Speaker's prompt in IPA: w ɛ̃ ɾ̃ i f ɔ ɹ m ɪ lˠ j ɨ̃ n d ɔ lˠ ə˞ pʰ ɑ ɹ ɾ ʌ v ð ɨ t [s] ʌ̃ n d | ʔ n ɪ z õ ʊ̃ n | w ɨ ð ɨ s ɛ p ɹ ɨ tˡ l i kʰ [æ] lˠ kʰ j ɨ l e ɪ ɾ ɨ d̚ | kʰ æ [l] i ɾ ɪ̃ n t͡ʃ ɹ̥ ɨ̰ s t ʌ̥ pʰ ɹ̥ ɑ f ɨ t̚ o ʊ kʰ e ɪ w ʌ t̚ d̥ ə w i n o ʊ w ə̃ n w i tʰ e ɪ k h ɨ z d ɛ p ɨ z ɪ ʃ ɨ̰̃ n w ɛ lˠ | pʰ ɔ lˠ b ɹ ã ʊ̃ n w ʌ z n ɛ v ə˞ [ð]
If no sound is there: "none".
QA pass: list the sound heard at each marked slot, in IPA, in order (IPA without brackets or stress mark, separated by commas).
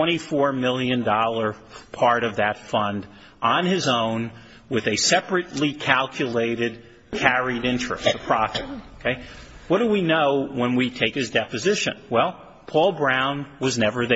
f, æ, ɹ, ð